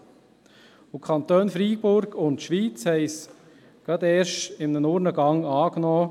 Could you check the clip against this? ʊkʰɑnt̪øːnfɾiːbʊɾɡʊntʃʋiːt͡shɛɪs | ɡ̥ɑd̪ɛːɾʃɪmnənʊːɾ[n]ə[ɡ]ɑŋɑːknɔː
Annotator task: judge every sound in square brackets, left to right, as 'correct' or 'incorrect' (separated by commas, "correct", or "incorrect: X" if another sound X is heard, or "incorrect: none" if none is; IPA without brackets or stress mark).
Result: correct, correct